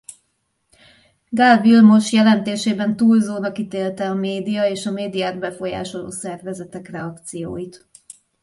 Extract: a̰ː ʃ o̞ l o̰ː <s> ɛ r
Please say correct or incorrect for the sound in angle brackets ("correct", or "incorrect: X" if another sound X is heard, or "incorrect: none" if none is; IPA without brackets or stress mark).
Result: correct